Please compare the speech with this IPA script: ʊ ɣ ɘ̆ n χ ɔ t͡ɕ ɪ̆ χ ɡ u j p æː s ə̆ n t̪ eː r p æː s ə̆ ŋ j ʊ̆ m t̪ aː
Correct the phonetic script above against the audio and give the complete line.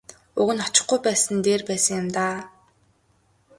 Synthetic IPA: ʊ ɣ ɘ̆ n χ ɔ t͡ɕ ɪ̆ χ ɡ u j p æː s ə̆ n t̪ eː r p æː s ə̆ ŋ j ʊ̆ m t̪ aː